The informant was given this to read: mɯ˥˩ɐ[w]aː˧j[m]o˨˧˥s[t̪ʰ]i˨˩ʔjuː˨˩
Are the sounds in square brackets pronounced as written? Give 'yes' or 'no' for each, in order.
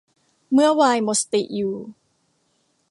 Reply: yes, yes, no

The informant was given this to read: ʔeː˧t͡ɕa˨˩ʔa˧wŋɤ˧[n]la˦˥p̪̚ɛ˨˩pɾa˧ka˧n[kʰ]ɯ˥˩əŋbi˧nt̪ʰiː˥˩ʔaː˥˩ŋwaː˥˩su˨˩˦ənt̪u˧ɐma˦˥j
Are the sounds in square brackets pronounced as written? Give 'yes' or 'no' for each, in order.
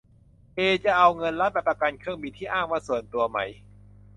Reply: yes, yes

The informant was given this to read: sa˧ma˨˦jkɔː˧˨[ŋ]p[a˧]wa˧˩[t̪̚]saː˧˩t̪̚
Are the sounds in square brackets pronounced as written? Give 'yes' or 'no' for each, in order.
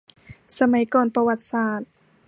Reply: no, yes, yes

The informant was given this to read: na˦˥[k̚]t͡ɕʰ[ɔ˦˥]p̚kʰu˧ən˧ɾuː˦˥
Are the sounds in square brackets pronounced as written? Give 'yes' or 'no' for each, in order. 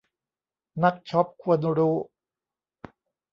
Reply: yes, yes

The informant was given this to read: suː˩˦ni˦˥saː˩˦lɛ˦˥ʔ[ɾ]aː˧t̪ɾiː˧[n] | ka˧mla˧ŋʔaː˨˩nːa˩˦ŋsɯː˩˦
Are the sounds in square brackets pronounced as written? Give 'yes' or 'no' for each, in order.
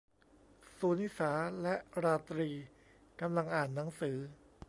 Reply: yes, no

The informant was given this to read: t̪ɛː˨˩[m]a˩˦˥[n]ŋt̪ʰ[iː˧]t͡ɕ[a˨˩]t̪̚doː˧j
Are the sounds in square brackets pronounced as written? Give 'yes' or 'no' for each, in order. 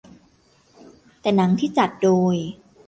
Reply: no, no, no, yes

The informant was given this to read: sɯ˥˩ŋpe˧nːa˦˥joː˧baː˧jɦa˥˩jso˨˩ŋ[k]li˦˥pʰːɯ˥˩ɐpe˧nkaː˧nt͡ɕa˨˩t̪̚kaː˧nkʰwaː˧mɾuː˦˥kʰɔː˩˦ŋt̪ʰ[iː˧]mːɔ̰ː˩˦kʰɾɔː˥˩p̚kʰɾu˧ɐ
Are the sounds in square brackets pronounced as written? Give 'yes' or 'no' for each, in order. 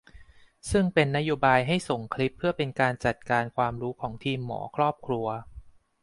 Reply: no, yes

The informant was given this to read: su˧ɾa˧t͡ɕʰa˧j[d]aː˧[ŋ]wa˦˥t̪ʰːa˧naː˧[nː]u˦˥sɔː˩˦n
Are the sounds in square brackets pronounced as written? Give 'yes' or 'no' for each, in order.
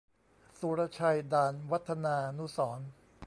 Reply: yes, no, no

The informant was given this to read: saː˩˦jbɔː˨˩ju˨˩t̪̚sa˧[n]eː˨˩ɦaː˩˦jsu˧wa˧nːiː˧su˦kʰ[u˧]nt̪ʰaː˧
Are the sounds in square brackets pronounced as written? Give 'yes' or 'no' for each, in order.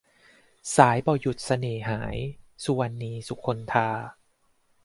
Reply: yes, no

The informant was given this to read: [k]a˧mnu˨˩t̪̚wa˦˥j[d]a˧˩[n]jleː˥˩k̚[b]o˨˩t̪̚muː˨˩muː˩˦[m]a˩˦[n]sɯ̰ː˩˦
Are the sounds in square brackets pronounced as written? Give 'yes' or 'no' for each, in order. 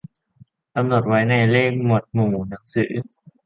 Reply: yes, no, no, no, no, no

